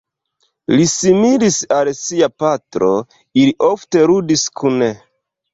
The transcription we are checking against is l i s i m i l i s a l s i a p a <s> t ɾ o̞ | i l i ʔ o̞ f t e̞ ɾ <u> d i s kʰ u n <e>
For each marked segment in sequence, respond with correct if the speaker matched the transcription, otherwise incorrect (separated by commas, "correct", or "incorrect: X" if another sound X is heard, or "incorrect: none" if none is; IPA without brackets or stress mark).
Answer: incorrect: none, correct, correct